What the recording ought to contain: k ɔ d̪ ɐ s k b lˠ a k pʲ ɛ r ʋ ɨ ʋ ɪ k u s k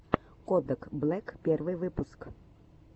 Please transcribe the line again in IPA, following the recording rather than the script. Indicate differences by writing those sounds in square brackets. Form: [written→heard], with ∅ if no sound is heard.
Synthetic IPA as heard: k ɔ d̪ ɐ [s→∅] k b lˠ [a→ɛ] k pʲ ɛ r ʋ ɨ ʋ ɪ [k→p] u s k